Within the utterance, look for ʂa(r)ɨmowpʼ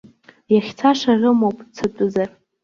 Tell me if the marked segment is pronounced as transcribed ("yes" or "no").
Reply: yes